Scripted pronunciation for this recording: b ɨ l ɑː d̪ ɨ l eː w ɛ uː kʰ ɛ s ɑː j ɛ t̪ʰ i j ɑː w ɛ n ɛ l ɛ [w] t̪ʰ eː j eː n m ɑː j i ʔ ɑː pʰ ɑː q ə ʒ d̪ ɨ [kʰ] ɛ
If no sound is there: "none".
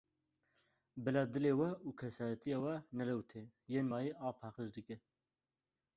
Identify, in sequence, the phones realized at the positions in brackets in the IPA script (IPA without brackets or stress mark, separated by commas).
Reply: w, k